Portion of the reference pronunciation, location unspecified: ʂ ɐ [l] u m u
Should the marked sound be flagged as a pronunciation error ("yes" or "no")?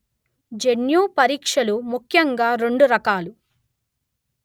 no